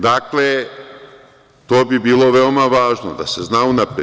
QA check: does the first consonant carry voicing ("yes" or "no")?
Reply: yes